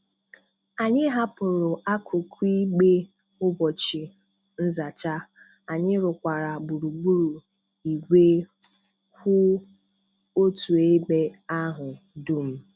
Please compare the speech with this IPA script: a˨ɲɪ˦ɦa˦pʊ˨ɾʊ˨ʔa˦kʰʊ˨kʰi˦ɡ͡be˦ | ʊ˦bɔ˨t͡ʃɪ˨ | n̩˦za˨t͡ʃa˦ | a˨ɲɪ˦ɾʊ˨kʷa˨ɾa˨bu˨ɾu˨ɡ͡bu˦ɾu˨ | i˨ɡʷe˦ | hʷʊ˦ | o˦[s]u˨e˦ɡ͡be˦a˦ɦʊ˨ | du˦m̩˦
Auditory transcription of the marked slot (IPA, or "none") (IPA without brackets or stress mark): t